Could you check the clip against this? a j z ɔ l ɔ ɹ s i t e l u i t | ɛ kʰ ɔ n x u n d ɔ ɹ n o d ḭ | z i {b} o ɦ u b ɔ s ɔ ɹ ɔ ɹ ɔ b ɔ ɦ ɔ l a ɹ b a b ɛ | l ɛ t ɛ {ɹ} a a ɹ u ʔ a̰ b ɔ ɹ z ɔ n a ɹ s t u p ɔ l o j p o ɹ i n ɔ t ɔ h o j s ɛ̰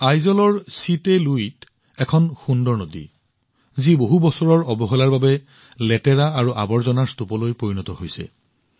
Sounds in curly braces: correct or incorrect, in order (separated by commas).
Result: correct, correct